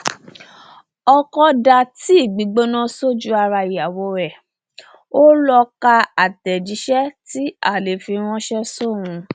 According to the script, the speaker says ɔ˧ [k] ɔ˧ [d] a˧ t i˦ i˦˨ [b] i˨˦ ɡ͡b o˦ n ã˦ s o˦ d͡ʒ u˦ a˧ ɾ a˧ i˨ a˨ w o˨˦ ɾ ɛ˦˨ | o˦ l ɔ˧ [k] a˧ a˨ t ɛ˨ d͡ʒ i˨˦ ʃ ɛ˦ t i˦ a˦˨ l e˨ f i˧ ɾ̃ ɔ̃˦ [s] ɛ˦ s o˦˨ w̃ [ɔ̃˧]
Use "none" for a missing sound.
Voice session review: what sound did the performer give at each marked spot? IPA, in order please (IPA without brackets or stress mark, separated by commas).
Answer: k, d, ɡ͡b, k, ʃ, ũ˧